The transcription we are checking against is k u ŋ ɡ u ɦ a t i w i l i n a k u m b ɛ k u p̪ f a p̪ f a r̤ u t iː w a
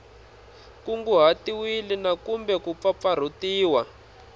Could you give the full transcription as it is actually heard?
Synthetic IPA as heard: k u ŋ ɡ u ɦ a t i w i l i n a k u m b ɛ k u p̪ f a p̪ f a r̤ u t iː w a